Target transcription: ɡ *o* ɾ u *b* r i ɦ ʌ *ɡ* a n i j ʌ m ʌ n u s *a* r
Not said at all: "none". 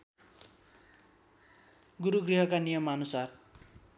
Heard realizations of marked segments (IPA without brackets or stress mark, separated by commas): u, ɡ, k, a